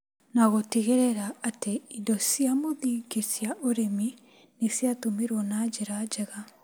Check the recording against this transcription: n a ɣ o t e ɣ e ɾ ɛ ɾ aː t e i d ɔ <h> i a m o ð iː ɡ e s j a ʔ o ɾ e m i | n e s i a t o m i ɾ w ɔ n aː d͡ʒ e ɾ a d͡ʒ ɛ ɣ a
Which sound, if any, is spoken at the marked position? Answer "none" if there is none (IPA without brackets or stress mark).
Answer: s